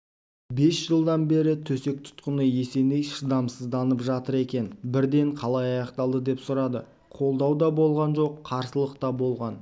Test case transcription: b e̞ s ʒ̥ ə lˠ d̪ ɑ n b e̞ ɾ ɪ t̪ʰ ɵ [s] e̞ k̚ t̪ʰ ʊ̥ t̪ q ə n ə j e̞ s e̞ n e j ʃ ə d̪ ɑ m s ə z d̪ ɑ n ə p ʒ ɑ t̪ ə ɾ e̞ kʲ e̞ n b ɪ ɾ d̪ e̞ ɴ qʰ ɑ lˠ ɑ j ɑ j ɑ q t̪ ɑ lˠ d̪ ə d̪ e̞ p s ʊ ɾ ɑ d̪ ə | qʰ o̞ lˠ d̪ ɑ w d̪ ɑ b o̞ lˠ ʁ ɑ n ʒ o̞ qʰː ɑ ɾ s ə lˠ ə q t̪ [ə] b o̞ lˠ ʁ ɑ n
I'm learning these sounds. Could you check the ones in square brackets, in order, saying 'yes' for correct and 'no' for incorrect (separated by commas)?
yes, no